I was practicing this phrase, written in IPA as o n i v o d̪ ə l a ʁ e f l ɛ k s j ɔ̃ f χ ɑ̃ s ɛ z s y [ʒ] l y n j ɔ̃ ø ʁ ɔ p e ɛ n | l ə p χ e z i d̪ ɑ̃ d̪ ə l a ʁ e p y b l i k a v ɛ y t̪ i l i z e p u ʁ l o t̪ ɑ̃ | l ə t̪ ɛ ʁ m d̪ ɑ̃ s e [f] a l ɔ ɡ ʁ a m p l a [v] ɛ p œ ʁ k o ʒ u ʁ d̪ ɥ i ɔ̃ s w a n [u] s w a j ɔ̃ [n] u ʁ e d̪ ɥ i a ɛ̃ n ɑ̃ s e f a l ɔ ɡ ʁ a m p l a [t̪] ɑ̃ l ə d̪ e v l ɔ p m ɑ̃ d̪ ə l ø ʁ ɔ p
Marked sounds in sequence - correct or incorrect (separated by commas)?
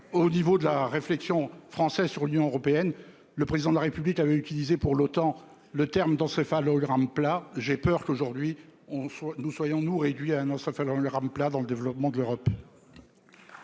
incorrect, correct, incorrect, correct, correct, incorrect